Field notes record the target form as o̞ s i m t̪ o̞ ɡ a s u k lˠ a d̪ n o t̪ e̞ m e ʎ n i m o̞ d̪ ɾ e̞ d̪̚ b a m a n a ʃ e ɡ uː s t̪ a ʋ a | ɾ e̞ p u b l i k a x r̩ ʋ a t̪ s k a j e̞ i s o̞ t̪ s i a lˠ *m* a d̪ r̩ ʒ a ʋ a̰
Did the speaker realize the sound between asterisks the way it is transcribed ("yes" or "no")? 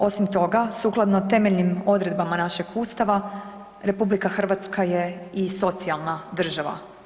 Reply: no